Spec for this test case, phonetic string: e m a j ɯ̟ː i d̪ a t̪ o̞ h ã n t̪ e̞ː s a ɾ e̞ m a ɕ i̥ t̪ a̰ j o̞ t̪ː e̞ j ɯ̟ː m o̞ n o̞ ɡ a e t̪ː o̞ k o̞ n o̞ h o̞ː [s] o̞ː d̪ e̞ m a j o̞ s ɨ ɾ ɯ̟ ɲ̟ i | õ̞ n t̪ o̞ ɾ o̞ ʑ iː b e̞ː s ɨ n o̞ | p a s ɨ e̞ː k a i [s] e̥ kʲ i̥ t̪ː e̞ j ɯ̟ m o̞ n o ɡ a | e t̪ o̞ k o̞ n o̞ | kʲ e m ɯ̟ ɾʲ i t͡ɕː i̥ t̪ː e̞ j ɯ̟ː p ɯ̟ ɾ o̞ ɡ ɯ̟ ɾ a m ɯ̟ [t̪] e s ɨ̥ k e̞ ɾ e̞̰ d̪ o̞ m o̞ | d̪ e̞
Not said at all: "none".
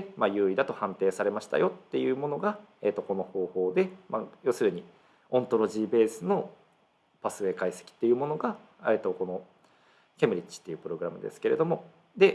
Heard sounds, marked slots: h, s, d̪

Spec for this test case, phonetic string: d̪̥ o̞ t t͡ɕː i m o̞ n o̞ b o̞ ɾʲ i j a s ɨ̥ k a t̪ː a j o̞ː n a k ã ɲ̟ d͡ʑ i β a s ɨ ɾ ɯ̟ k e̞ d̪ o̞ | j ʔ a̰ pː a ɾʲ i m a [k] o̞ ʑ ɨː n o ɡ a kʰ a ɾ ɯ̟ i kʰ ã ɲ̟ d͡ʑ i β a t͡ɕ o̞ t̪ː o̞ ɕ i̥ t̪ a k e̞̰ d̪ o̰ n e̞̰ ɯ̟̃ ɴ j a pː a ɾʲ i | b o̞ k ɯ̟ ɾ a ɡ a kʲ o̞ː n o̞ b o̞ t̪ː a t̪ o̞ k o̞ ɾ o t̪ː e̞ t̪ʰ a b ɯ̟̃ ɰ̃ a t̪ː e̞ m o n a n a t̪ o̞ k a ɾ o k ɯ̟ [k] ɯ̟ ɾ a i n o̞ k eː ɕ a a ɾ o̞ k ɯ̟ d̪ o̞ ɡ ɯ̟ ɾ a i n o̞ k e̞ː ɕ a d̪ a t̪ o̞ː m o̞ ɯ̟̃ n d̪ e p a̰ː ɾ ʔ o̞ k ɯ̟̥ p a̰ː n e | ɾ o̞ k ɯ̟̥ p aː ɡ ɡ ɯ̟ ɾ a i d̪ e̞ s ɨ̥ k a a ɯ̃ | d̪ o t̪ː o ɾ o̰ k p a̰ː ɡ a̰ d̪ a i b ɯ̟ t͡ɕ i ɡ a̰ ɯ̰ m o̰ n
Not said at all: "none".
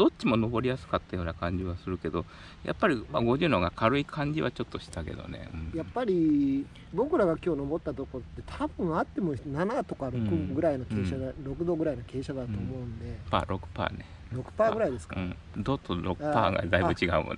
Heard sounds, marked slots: ɡ, ɡ

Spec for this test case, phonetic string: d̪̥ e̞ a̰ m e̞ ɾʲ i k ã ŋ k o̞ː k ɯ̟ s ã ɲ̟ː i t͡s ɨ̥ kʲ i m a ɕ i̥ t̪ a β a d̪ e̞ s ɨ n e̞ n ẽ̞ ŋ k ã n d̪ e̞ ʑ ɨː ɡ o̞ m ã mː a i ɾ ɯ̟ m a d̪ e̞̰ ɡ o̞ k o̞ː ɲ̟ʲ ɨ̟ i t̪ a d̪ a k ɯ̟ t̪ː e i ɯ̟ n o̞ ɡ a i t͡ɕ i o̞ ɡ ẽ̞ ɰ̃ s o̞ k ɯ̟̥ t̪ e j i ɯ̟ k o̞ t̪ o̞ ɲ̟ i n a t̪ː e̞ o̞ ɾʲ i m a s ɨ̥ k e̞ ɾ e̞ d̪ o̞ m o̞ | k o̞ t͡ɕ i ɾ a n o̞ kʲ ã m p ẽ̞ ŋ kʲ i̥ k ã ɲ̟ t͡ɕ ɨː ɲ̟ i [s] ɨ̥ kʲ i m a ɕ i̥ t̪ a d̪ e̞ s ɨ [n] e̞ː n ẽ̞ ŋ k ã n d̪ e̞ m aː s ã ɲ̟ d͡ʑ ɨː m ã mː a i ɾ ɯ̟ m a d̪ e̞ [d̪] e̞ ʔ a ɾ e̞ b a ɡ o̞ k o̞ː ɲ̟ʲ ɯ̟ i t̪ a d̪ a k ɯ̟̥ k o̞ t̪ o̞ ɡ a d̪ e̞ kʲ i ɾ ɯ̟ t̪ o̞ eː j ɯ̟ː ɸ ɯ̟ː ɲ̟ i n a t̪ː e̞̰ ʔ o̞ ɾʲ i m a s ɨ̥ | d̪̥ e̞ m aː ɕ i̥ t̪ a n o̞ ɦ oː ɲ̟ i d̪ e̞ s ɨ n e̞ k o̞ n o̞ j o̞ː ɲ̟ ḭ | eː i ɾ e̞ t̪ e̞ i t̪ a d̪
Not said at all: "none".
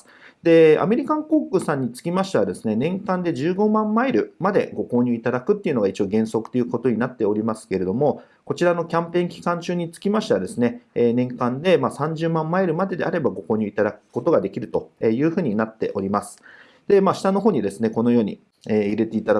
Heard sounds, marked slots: t͡s, n, d̪

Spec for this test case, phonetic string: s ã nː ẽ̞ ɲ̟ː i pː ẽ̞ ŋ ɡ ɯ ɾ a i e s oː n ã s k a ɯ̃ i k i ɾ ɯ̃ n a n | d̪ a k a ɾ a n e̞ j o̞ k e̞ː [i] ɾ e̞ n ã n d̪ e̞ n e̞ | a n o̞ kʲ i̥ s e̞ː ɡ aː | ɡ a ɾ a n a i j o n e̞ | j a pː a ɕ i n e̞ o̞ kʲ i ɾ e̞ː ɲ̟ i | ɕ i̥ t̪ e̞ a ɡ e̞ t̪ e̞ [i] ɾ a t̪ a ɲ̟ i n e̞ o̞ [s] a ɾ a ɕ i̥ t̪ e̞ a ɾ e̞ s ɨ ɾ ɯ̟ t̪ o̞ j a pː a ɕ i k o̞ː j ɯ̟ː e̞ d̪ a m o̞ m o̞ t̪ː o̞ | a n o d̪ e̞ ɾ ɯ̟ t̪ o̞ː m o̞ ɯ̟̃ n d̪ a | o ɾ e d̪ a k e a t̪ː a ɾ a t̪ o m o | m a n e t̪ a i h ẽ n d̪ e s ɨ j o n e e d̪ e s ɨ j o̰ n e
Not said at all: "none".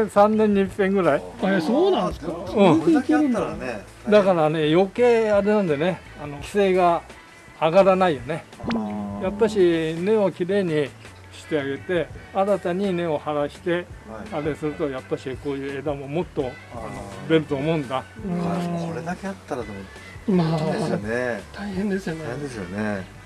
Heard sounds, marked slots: a, a, h

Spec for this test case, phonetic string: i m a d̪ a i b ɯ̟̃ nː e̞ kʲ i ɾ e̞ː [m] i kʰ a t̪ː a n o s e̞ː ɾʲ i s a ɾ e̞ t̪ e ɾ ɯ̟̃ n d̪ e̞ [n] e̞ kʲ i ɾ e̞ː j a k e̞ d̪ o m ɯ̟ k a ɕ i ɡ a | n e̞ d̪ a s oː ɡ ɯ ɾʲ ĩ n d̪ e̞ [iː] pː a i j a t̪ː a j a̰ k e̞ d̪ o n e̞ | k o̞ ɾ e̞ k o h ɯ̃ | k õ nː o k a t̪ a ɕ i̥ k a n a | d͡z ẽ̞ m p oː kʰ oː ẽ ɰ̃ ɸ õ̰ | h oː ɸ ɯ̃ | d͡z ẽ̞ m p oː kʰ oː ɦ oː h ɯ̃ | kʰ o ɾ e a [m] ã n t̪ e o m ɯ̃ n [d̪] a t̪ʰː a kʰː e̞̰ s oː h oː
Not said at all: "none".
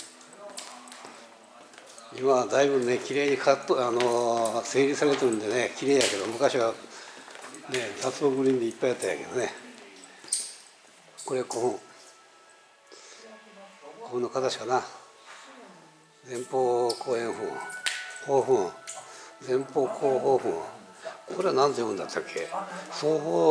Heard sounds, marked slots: ɲ, n, i, n, d̪

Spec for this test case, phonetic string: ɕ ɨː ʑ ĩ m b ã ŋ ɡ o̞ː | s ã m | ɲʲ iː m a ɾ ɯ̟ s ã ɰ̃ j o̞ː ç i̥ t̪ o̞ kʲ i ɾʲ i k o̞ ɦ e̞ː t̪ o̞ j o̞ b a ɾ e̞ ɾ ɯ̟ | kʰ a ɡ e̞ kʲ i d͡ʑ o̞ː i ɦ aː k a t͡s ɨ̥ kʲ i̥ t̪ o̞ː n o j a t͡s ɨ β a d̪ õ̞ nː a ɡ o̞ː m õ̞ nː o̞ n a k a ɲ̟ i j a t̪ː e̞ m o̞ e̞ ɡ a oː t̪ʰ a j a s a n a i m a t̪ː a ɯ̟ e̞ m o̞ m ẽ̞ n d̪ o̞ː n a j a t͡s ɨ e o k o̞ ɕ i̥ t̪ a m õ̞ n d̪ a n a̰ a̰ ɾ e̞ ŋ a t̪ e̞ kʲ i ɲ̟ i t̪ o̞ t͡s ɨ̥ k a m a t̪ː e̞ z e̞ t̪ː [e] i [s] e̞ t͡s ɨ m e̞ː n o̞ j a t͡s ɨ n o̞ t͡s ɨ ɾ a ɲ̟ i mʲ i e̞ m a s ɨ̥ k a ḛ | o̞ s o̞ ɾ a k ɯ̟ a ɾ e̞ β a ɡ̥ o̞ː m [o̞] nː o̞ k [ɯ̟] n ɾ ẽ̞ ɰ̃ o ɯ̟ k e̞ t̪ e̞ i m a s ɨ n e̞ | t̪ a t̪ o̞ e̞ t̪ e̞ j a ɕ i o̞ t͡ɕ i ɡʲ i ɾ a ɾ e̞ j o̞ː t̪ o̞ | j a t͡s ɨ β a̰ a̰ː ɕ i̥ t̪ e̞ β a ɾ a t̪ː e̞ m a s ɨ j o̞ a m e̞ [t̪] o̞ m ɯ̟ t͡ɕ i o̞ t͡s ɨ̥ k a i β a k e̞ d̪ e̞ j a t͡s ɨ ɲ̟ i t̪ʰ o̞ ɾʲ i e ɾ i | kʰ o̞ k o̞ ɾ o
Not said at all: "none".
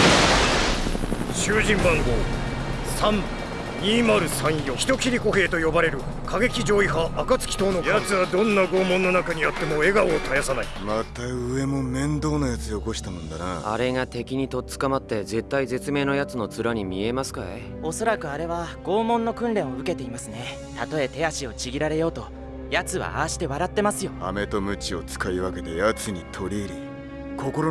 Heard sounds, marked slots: a, z, õ̞, ɯ̟̃, t̪

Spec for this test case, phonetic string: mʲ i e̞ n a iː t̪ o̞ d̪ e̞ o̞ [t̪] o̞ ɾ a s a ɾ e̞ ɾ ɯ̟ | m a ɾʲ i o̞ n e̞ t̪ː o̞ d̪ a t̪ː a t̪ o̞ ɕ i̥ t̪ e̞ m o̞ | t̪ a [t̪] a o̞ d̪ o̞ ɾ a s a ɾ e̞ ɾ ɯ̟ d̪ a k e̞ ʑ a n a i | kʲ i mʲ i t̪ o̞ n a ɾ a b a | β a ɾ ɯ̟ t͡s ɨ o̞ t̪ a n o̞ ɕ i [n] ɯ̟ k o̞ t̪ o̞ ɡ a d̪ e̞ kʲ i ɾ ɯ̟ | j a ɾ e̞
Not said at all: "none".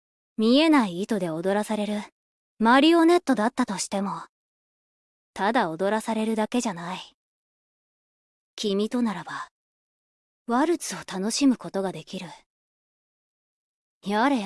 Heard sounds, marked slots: d̪, d̪, m

